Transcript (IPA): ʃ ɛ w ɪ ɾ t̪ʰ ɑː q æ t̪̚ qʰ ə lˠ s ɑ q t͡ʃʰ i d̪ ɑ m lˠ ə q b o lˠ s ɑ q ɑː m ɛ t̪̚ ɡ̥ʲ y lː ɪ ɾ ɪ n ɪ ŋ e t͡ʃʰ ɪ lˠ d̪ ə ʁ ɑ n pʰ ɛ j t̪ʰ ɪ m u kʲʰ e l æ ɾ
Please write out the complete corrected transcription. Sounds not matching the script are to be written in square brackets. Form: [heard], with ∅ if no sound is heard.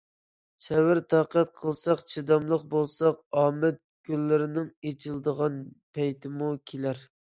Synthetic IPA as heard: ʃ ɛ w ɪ ɾ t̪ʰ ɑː q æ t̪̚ qʰ ə lˠ s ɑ q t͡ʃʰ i d̪ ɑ m lˠ ə q b o lˠ s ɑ q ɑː m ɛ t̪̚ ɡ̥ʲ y lː ɪ ɾ ɪ n ɪ ŋ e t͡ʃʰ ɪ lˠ d̪ ə ʁ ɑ n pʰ ɛ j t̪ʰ ɪ m u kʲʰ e l æ ɾ